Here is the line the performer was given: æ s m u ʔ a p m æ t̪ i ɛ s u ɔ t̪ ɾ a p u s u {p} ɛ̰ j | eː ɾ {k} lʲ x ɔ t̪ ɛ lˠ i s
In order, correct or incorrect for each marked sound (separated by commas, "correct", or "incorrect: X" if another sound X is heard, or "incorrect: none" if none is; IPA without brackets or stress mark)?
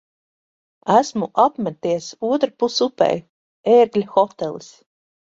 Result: correct, incorrect: ɡ